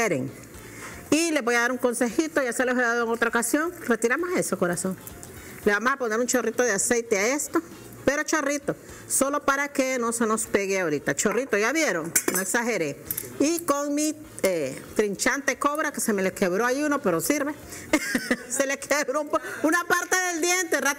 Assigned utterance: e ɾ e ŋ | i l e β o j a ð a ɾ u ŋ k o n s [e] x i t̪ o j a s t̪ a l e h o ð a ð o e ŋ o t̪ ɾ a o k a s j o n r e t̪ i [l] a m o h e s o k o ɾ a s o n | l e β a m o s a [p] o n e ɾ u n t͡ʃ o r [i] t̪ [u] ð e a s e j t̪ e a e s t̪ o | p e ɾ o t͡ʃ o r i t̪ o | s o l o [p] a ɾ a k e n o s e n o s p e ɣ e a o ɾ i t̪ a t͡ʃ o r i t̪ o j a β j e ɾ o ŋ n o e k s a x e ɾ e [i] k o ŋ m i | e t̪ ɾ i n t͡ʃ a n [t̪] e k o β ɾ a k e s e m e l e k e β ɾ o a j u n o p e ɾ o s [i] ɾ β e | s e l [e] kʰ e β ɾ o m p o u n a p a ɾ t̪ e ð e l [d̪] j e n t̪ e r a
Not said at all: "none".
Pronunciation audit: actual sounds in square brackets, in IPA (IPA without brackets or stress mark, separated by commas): e, ɾ, p, i, o, p, i, t̪, i, e, d̪